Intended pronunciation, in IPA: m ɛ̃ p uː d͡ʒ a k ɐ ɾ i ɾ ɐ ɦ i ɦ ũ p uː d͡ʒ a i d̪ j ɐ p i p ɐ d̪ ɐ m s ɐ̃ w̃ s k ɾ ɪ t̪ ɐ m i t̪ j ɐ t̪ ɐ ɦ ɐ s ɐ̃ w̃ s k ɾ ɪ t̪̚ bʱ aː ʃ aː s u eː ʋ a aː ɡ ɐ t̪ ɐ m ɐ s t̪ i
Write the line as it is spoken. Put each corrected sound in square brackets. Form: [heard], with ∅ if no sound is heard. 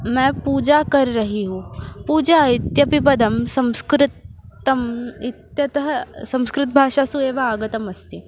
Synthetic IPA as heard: m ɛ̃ p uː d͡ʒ a k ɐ ɾ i ɾ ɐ ɦ i ɦ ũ p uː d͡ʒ a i [t̪] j ɐ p i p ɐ d̪ ɐ m s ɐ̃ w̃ s k ɾ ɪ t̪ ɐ m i t̪ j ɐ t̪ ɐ ɦ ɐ s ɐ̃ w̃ s k ɾ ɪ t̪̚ bʱ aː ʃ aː s u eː ʋ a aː ɡ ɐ t̪ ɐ m ɐ s t̪ i